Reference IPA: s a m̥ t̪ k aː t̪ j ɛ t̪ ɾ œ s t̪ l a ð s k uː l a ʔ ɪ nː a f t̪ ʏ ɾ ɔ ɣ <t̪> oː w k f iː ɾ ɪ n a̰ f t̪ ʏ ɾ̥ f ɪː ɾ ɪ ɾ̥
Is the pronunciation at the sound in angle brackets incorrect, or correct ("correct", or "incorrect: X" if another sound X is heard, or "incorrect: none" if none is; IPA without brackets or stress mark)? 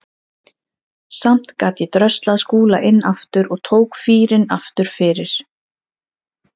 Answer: incorrect: t̪ʰ